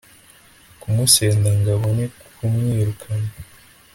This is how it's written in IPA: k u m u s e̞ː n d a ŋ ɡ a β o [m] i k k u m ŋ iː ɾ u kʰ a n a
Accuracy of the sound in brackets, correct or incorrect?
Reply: incorrect